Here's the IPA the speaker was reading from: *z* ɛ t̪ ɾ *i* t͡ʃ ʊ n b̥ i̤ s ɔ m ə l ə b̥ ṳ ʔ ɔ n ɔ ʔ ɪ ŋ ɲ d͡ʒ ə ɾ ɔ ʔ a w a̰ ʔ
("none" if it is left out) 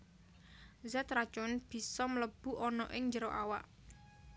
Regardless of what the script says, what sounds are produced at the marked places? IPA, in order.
z, a

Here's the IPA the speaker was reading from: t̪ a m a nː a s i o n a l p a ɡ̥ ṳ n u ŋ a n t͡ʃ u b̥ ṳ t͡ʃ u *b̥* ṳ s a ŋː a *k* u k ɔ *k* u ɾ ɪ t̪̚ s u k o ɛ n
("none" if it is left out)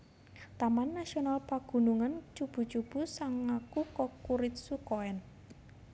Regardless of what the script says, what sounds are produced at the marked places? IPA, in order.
b̥, k, k

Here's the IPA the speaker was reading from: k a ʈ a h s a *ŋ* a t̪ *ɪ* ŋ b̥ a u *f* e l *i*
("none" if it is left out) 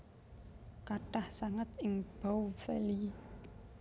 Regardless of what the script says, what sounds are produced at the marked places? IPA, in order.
ŋ, ɪ, f, i

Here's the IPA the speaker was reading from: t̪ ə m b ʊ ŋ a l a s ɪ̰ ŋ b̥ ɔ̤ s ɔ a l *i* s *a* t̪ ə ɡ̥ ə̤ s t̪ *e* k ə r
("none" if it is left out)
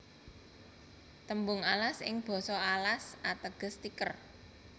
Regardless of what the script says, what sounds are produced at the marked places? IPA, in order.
a, a, i

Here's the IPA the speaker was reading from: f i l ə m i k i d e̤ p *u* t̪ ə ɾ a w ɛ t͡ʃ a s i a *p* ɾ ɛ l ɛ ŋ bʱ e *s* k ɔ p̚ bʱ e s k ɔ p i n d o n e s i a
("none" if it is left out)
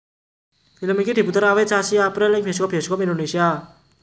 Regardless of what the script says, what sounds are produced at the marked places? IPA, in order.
u, p, s

